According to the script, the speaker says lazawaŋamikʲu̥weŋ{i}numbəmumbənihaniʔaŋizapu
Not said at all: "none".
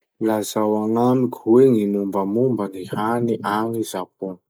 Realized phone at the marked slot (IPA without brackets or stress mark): i